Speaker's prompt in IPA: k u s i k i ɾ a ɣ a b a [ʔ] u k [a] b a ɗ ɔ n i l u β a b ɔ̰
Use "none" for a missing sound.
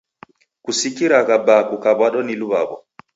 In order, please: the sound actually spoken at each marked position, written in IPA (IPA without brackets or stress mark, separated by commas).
k, a